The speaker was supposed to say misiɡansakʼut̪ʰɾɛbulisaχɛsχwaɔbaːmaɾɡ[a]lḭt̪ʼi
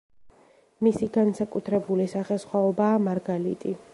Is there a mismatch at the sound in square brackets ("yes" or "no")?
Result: no